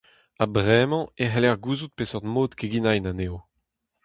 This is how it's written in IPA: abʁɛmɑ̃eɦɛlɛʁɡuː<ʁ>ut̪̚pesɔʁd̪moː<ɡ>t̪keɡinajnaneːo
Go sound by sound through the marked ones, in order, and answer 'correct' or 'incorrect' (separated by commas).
incorrect, incorrect